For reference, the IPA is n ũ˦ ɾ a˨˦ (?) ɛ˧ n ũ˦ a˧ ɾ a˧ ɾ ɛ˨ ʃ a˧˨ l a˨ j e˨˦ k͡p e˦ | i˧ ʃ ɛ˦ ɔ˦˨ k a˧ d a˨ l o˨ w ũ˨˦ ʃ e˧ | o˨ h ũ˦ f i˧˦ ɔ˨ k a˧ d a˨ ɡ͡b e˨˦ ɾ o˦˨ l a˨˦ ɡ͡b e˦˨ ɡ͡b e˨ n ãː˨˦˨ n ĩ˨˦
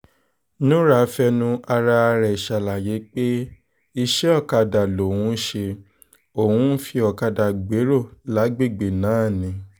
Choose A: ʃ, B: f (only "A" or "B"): B